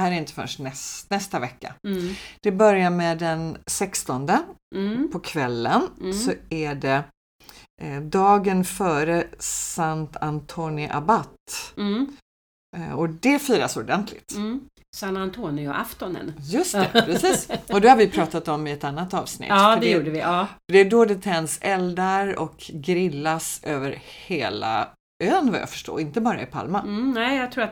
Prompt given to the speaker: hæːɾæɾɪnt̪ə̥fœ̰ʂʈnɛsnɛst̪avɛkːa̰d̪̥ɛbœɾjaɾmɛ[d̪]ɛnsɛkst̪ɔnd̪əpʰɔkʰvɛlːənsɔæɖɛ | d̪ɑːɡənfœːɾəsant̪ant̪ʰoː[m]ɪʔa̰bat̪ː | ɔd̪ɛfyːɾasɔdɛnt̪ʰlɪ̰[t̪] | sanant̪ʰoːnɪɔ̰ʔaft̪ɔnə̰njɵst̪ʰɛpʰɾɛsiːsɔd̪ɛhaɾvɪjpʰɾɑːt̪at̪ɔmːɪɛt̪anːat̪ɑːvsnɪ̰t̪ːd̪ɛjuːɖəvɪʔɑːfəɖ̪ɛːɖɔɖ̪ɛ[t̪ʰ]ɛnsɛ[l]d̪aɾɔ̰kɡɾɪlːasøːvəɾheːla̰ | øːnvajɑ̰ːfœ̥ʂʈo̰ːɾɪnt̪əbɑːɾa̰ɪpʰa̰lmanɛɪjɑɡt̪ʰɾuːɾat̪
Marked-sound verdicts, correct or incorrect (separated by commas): correct, incorrect, correct, correct, correct